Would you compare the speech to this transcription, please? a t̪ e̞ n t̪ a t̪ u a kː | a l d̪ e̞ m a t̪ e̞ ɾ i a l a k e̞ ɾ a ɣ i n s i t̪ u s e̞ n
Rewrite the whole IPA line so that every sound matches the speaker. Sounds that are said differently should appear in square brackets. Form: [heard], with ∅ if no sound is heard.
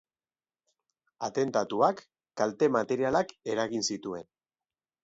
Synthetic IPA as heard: a t̪ e̞ n t̪ a t̪ u a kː | a l [t̪] e̞ m a t̪ e̞ ɾ i a l a k e̞ ɾ a ɣ i n s i t̪ u [∅] e̞ n